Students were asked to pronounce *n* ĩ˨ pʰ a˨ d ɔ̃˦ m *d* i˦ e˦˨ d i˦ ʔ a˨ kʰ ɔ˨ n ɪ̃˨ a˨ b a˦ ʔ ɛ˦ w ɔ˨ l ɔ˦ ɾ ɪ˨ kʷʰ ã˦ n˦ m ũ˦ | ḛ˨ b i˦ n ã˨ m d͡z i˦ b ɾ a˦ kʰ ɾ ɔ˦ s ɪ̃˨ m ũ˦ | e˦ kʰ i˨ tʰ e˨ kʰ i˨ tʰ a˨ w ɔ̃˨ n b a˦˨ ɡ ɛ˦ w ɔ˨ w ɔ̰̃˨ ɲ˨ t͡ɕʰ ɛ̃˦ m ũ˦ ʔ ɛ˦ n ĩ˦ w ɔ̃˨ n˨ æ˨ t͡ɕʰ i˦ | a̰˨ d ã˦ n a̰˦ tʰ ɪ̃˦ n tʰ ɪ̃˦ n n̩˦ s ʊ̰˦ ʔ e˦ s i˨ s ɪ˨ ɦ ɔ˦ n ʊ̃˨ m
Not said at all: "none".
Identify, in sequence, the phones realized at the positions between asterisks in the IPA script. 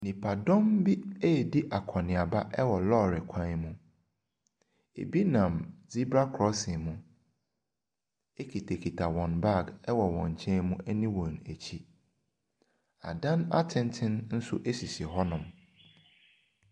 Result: n, b

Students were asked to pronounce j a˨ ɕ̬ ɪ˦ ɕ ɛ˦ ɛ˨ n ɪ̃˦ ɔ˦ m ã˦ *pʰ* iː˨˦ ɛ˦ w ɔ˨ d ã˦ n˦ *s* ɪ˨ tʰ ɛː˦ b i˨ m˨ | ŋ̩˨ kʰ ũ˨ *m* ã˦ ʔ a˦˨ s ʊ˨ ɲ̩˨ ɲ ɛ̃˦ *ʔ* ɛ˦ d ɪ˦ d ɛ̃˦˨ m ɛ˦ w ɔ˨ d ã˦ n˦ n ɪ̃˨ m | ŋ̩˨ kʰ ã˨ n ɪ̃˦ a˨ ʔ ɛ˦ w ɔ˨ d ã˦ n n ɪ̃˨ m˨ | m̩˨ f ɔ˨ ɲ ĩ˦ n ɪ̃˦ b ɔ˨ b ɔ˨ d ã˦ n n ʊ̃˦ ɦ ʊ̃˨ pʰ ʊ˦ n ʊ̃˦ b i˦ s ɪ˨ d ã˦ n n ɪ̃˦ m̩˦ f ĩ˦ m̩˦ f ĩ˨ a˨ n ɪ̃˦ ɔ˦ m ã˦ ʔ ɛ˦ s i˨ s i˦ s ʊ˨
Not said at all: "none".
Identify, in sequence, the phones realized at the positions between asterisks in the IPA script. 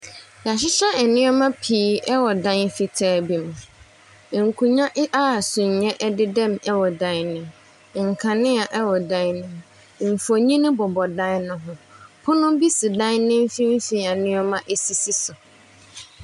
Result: pʰ, f, ɲ, ʔ

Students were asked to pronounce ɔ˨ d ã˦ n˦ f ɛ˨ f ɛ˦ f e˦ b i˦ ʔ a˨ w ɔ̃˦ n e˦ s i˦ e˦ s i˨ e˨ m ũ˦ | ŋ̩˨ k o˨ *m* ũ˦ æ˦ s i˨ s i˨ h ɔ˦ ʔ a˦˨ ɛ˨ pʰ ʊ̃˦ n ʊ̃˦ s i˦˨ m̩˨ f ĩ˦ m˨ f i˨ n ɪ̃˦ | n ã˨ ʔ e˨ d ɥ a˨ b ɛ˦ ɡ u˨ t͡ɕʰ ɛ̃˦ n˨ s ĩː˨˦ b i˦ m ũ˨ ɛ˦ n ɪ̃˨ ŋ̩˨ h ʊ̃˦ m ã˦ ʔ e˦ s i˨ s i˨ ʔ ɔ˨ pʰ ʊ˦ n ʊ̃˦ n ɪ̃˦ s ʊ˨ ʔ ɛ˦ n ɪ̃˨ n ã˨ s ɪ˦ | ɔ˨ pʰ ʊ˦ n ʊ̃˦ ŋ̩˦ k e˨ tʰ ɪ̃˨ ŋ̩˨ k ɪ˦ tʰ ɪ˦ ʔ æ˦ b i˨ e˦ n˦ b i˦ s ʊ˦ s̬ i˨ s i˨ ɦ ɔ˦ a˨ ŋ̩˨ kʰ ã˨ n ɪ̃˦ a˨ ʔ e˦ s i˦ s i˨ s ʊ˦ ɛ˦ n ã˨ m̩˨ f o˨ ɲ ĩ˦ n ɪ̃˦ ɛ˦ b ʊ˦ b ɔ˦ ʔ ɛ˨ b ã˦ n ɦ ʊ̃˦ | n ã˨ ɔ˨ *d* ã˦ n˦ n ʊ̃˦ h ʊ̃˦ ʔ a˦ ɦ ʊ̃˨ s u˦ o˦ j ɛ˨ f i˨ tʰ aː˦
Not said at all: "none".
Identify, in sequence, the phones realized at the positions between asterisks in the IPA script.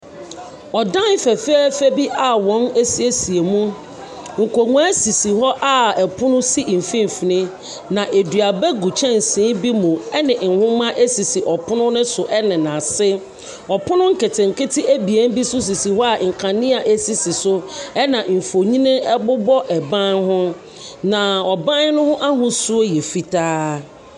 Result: ŋ, b

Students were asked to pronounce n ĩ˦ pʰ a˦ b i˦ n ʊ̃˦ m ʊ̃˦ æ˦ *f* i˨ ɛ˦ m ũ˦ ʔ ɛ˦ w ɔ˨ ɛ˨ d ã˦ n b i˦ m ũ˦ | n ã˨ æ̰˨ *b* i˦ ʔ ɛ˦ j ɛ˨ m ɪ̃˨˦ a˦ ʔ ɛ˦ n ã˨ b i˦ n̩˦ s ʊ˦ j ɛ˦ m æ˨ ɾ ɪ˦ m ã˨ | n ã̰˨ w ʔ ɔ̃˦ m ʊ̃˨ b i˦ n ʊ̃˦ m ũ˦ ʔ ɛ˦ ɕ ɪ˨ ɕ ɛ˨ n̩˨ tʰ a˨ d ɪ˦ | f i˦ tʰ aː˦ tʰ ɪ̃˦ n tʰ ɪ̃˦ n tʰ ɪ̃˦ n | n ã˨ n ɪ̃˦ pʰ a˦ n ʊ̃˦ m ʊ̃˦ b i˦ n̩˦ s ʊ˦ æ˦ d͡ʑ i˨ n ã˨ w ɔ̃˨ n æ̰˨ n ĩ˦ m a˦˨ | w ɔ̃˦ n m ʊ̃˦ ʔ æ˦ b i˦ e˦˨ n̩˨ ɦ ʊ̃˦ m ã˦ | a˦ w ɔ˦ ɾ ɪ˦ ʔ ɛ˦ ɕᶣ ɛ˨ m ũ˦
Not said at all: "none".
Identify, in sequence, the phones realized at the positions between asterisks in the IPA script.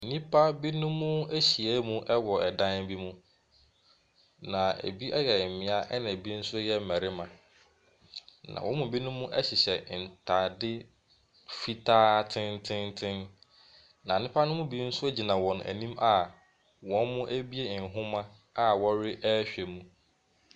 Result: ɕ, b

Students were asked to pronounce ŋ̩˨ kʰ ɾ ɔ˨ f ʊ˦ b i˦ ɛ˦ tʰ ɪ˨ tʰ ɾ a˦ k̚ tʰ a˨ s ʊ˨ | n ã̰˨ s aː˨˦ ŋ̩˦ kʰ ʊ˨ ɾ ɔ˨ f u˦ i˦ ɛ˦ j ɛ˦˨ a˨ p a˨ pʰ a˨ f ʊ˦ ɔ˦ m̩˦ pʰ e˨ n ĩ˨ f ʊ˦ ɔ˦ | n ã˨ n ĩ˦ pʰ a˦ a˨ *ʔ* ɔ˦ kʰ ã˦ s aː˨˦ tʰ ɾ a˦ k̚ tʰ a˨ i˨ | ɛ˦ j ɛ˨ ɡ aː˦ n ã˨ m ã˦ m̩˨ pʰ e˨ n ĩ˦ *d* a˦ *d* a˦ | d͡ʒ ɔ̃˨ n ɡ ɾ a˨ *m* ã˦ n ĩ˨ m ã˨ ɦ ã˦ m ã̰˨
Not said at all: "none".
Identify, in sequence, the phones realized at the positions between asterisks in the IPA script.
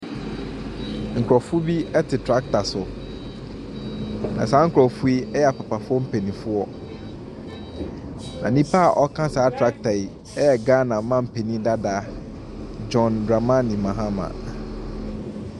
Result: ʔ, d, d, m

